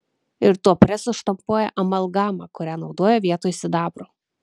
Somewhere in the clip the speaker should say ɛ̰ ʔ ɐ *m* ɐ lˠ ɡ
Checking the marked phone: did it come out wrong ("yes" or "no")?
no